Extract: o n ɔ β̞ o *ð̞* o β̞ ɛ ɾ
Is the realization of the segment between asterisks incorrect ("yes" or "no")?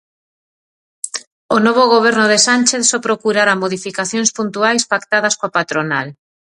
yes